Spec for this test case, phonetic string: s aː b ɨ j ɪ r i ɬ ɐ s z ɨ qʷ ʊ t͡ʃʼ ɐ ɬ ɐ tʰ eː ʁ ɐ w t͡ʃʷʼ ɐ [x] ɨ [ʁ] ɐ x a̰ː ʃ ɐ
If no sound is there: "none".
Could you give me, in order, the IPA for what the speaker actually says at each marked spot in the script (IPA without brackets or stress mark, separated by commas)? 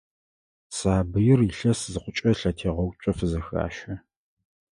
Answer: f, z